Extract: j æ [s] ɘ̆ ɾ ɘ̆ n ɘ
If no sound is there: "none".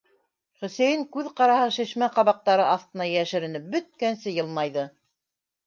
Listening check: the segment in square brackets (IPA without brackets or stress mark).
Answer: ʃ